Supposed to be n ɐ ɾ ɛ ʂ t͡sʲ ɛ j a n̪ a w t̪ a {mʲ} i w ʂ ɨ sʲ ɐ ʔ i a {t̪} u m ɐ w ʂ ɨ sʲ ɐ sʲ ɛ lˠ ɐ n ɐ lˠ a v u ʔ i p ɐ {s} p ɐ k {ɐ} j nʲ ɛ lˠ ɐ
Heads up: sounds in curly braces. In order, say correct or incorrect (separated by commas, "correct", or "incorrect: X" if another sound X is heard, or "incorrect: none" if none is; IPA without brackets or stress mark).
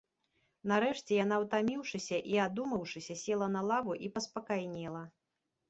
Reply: correct, incorrect: d̪, correct, incorrect: a